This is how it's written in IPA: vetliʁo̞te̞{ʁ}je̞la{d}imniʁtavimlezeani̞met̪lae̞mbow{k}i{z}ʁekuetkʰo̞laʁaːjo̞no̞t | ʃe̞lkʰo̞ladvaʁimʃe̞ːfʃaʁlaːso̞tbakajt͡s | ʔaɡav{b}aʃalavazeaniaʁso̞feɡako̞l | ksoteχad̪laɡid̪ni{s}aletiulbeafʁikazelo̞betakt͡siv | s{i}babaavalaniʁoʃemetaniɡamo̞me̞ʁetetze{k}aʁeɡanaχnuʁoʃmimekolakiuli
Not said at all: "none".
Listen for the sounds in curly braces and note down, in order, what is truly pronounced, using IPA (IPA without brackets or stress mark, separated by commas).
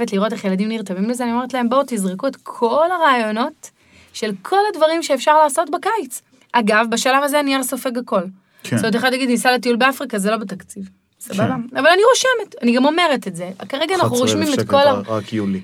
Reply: χ, d, t, z, b, s, a, k